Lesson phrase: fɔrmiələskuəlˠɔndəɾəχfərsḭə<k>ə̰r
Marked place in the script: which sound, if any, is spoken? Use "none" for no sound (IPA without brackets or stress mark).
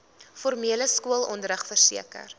k